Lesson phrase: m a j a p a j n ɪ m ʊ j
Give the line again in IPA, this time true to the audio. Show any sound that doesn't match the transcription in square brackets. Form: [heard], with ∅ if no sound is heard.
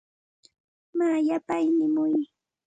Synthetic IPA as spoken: m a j a p a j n ɪ m ʊ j